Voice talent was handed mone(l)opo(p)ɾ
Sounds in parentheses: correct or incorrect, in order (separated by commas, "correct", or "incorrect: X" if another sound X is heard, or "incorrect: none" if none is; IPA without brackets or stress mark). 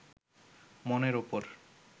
incorrect: ɾ, incorrect: none